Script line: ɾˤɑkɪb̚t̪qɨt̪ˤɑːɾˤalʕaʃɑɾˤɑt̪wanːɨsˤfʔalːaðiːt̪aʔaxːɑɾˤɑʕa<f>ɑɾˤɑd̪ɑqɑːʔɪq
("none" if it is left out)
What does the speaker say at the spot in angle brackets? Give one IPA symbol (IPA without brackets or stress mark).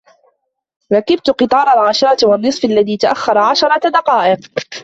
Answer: ʃ